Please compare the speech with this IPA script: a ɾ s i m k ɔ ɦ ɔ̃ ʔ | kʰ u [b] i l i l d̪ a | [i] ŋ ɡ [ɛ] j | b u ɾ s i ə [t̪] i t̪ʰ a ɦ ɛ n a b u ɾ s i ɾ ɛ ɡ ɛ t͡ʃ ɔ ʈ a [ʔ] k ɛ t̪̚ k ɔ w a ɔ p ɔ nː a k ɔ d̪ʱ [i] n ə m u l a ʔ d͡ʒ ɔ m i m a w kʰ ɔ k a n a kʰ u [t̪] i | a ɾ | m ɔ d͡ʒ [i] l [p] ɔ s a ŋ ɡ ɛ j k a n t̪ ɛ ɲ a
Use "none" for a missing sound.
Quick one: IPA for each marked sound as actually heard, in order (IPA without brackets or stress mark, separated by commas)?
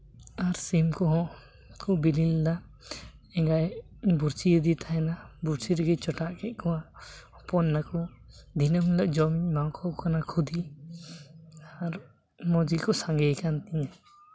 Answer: b, ɛ, a, d̪, ʔ, i, d̪, i, k